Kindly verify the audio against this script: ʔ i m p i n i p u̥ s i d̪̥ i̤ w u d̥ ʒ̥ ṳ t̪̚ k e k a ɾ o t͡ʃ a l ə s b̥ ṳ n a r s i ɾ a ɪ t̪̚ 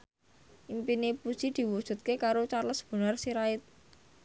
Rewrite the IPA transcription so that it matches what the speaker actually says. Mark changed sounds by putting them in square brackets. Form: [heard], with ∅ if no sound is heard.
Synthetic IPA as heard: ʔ i m p i n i p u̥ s i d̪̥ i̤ w u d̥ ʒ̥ ṳ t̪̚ k e k a ɾ o t͡ʃ a l ə s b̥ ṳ n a r s i ɾ a ɪ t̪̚